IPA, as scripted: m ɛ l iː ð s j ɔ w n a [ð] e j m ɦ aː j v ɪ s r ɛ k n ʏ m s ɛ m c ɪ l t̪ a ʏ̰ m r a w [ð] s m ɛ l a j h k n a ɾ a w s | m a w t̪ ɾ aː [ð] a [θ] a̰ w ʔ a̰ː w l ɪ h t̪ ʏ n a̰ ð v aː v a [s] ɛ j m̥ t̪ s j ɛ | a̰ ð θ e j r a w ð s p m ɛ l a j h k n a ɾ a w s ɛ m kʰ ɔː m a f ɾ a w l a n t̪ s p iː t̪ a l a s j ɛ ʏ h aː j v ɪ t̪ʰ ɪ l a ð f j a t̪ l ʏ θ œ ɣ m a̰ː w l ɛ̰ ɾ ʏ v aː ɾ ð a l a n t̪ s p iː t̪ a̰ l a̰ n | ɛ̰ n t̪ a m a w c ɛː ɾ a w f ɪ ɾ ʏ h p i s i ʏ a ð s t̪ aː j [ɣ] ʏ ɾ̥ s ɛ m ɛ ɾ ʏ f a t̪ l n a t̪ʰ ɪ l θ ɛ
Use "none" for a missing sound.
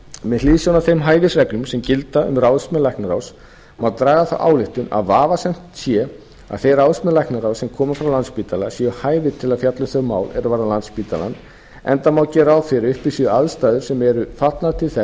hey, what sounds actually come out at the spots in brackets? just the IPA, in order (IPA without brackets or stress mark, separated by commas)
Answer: θ, ð, ɣ, θ, s, ð